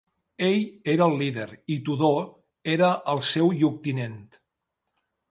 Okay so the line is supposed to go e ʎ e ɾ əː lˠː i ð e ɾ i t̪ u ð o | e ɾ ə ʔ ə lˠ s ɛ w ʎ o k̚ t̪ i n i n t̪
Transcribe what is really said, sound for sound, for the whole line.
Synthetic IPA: e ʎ e ɾ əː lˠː i ð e ɾ i t̪ u ð o | e ɾ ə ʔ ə lˠ s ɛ w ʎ u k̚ t̪ i n e n t̪